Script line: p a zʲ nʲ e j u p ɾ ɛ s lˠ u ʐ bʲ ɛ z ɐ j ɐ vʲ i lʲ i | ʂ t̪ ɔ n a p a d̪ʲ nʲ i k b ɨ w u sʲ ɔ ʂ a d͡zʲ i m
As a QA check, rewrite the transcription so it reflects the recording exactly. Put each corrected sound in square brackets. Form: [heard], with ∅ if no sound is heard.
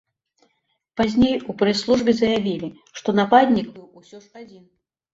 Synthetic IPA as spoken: p a zʲ nʲ e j u p ɾ ɛ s lˠ u ʐ bʲ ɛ z ɐ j [a] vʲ i lʲ i | ʂ t̪ ɔ n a p a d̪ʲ nʲ i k b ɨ w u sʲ ɔ ʂ a d͡zʲ i [n]